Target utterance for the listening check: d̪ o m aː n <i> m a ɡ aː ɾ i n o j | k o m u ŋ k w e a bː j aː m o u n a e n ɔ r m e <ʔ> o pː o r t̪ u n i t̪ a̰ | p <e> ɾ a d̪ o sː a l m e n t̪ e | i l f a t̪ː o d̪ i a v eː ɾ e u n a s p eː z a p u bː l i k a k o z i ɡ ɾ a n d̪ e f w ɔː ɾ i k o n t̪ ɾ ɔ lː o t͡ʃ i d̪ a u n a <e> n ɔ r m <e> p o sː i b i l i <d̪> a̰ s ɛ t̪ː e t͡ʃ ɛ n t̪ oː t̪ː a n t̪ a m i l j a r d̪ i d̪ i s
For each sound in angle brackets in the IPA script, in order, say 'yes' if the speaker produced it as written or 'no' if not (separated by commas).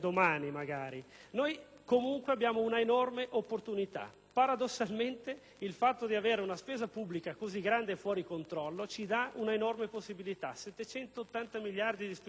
yes, yes, no, yes, yes, no